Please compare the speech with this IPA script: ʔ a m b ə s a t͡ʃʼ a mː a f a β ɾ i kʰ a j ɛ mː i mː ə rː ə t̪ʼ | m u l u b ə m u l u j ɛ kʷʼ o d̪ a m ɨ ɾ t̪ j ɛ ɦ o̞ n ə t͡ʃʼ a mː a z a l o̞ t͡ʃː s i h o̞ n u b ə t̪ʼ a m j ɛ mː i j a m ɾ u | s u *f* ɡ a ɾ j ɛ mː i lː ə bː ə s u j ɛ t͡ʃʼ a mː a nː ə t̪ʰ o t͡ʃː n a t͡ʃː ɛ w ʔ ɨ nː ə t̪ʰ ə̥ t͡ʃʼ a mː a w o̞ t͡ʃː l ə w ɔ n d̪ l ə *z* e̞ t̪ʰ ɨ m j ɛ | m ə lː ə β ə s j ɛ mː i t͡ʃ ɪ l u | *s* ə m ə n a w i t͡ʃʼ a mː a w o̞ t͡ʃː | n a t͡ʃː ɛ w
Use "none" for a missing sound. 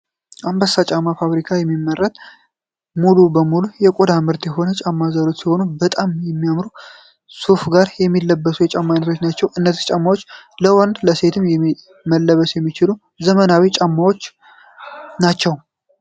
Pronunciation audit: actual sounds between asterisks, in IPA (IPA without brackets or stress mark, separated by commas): f, s, z